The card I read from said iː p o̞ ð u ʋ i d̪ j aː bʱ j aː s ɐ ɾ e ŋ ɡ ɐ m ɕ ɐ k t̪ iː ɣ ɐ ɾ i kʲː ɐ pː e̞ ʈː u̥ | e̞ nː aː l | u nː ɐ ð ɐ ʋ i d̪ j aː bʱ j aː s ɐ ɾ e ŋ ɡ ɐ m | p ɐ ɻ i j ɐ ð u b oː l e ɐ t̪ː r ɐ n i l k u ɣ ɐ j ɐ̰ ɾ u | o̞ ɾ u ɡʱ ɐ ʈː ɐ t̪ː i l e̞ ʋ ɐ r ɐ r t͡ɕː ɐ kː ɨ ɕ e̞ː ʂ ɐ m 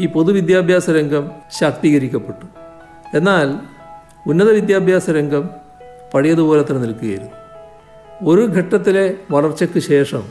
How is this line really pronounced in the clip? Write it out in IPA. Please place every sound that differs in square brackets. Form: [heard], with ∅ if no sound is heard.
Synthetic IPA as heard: iː p o̞ ð u ʋ i d̪ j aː bʱ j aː s ɐ ɾ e ŋ ɡ ɐ m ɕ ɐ k t̪ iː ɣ ɐ ɾ i kʲː ɐ pː e̞ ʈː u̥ | e̞ nː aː l | u nː ɐ ð ɐ ʋ i d̪ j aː bʱ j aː s ɐ ɾ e ŋ ɡ ɐ m | p ɐ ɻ i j ɐ ð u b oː l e ɐ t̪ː r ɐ n i l k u ɣ ɐ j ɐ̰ ɾ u | o̞ ɾ u ɡʱ ɐ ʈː ɐ t̪ː i l e̞ ʋ ɐ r ɐ r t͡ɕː ɐ kː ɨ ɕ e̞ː ʂ ɐ m